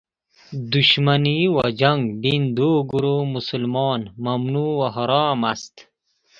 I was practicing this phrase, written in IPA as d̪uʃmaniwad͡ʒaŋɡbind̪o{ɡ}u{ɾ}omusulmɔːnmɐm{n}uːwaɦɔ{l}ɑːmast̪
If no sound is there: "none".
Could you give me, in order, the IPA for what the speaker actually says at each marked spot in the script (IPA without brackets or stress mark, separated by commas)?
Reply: ɡ, ɾ, n, ɾ